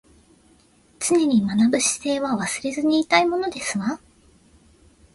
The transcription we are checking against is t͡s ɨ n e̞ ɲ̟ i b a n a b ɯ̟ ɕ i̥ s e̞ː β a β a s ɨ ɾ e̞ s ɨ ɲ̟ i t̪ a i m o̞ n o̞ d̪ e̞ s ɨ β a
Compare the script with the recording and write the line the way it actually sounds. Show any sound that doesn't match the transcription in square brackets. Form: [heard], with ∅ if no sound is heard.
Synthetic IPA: t͡s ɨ n e̞ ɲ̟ i [m] a n a b ɯ̟ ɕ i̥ s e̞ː β a β a s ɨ ɾ e̞ [z] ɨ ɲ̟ [iː] t̪ a i m o̞ n o̞ d̪ e̞ s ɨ β a